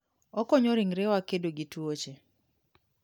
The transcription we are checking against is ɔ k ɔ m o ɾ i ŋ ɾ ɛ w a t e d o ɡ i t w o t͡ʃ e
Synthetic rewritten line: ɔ k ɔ ɲ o ɾ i ŋ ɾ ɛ w a k e d o ɡ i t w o t͡ʃ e